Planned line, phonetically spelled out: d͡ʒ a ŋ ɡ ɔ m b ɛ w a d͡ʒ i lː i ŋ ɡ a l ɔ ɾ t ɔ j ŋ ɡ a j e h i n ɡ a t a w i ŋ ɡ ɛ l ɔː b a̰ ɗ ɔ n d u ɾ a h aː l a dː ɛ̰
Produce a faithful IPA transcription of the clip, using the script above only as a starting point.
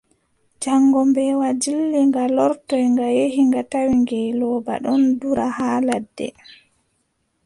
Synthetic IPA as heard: d͡ʒ a ŋ ɡ ɔ m b ɛ w a d͡ʒ i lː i ŋ ɡ a l ɔ ɾ t ɔ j ŋ ɡ a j e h i ŋ ɡ a t a w i ŋ ɡ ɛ l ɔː b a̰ ɗ ɔ n d u ɾ a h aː l a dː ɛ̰